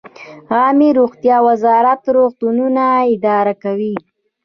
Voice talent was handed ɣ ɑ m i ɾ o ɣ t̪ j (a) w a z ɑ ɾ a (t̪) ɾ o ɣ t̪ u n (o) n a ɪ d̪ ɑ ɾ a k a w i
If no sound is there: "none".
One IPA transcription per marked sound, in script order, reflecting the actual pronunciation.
ɑ, t̪, u

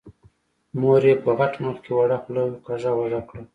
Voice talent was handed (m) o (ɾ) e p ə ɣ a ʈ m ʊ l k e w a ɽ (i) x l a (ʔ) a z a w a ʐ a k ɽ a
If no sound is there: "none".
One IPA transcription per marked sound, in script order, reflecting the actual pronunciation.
m, ɾ, a, q

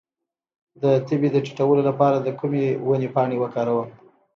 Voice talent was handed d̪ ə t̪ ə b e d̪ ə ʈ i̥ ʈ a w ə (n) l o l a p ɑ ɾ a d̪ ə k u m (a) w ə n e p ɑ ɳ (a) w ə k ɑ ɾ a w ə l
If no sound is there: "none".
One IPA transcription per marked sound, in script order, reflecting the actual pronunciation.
none, e, e

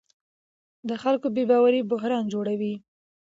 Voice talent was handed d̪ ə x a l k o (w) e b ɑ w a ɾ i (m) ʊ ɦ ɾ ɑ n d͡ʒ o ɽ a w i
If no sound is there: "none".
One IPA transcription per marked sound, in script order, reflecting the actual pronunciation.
b, b

